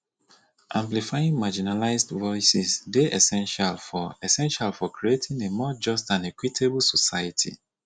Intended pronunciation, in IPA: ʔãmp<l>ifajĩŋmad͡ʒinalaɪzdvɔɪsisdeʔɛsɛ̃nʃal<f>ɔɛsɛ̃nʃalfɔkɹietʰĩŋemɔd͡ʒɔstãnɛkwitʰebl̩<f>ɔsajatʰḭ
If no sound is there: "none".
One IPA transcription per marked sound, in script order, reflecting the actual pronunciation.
l, f, s

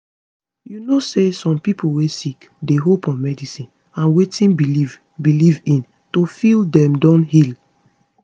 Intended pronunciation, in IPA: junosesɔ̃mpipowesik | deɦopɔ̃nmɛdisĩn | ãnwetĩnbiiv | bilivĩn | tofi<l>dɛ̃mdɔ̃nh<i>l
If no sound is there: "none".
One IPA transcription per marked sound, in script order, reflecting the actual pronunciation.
l, i

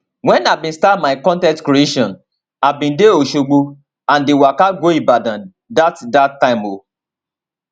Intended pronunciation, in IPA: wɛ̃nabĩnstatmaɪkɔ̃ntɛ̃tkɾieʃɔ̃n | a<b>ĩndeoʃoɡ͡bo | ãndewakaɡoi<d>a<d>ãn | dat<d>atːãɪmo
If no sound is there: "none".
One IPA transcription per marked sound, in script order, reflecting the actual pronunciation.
b, b, d, d

